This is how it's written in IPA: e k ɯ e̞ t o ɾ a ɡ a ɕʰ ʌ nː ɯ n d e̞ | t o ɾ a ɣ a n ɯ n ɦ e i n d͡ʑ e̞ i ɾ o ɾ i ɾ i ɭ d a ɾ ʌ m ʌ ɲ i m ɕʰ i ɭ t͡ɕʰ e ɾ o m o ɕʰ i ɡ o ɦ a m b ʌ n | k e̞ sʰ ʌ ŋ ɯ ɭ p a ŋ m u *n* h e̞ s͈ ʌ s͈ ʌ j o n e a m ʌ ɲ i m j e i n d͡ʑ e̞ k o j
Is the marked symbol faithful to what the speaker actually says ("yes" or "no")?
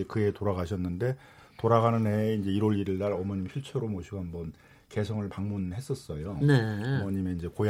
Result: yes